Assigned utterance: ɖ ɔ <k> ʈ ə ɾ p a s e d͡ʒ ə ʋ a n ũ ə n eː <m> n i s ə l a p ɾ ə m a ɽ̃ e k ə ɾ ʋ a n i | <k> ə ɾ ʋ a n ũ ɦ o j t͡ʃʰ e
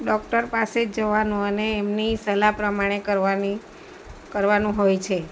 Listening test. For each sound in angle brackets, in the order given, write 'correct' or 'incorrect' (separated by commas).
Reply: correct, correct, correct